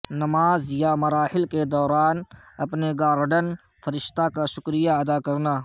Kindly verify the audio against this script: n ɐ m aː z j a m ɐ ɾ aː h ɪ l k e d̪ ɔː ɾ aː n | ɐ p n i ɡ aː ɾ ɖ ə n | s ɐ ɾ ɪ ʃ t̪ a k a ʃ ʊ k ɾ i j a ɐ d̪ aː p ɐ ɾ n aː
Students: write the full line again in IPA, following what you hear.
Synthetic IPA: n ɐ m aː z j a m ɐ ɾ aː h ɪ l k e d̪ ɔː ɾ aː n | ɐ p n e ɡ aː ɾ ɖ ə n | f ɐ ɾ ɪ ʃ t̪ a k a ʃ ʊ k ɾ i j a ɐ d̪ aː k ɐ ɾ n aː